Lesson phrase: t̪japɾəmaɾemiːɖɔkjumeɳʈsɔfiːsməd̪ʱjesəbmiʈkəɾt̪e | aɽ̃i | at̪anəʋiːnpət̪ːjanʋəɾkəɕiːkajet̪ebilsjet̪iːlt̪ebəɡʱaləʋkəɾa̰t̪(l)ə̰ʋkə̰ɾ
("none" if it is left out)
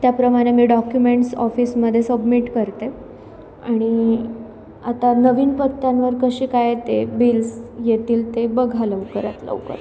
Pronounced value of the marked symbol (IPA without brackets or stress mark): l